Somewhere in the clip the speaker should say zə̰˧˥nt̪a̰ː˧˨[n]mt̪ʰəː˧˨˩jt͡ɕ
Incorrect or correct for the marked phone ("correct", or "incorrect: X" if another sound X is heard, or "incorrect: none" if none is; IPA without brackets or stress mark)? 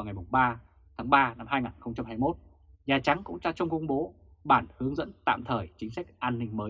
incorrect: none